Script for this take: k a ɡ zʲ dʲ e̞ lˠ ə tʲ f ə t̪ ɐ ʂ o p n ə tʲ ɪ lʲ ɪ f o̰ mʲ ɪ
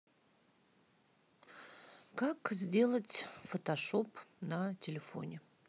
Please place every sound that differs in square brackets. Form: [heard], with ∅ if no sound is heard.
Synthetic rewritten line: k a [k] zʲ dʲ e̞ lˠ ə tʲ f ə t̪ ɐ ʂ o p n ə tʲ ɪ lʲ ɪ f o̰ [nʲ] ɪ